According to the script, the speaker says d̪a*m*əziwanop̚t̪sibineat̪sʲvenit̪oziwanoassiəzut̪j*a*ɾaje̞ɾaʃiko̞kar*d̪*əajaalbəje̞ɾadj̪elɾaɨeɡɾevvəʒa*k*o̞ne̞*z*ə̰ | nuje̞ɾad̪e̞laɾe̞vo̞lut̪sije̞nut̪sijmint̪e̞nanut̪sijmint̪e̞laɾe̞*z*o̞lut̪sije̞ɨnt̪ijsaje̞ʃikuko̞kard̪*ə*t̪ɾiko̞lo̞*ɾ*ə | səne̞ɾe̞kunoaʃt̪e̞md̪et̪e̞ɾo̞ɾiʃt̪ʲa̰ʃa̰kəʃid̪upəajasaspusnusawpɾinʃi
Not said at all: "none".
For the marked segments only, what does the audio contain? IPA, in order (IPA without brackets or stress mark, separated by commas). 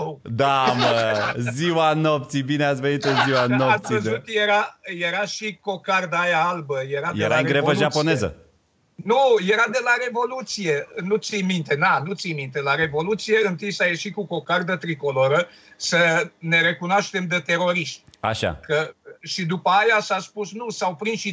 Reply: m, e, d̪, p, z, v, ə, ɾ